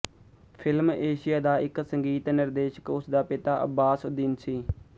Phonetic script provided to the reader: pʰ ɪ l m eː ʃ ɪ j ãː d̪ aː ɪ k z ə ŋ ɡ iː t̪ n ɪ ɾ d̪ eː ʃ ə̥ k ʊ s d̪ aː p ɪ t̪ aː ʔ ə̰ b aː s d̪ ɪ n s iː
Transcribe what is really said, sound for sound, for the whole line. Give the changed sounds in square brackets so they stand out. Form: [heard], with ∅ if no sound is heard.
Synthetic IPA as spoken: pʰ ɪ l m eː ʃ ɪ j [aː] d̪ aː ɪ k [s] ə ŋ ɡ iː t̪ n ɪ ɾ d̪ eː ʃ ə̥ k ʊ s d̪ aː p ɪ t̪ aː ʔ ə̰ b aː s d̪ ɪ n s iː